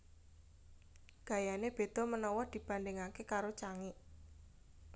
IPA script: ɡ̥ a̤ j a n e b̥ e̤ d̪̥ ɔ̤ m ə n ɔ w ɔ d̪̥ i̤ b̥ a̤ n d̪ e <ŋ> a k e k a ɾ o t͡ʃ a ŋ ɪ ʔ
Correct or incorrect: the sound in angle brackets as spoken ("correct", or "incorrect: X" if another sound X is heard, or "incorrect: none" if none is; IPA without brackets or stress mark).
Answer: correct